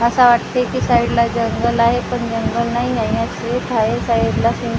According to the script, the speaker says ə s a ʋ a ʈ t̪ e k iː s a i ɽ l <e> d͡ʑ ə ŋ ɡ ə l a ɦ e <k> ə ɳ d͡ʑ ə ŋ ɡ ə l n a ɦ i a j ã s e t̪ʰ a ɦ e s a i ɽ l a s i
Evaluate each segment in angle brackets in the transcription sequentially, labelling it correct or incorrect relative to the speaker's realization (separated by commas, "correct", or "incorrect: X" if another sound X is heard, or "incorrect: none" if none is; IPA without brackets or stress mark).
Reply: incorrect: a, incorrect: p